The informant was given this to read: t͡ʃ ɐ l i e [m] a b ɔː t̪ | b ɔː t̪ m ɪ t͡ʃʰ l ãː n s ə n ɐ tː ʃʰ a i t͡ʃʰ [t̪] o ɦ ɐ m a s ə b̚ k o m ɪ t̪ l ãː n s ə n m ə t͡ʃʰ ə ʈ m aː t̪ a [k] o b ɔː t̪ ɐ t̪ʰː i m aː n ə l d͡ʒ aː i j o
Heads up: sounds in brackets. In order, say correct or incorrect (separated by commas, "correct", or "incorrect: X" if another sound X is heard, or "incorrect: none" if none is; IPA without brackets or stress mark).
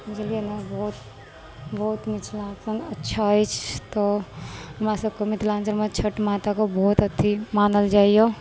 incorrect: n, correct, correct